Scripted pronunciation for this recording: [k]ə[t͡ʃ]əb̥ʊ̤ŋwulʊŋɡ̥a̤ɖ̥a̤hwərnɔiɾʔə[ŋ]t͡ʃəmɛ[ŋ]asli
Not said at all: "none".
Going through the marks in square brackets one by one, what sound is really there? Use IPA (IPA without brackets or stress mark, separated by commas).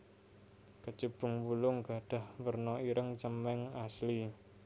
k, t͡ʃ, ŋ, ŋ